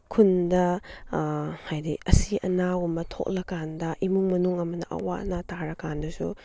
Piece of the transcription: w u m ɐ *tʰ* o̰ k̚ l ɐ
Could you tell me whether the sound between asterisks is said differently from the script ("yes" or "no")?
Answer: no